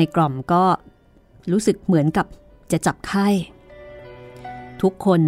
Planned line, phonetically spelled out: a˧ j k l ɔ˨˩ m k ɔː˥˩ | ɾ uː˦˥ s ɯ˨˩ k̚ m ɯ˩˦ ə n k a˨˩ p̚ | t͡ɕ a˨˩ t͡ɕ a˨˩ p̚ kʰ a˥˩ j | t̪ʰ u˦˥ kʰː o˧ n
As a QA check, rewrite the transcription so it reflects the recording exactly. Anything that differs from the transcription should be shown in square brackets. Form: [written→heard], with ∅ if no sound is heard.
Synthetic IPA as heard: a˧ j k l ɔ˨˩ m k ɔː˥˩ | ɾ uː˦˥ s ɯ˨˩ k̚ m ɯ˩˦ ə n k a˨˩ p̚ | t͡ɕ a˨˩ t͡ɕ a˨˩ p̚ kʰ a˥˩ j | t̪ʰ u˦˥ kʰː o˧ n